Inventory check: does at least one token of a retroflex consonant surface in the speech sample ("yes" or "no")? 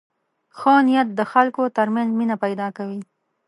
no